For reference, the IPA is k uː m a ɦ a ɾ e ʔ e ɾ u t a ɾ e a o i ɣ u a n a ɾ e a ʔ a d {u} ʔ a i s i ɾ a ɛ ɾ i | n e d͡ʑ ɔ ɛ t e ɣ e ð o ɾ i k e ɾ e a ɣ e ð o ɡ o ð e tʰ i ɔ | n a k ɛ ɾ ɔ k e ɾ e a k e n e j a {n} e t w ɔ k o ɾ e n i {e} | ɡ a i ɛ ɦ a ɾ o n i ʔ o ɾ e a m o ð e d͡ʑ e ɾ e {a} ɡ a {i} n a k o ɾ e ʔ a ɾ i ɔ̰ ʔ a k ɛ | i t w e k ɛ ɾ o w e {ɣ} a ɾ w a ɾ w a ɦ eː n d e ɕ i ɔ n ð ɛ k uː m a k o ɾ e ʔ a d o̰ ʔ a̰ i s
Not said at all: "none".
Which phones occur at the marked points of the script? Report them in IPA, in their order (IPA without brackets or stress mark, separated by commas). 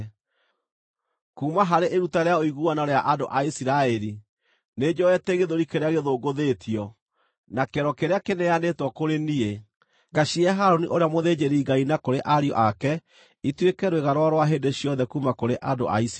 o, n, e, i, i, ɣ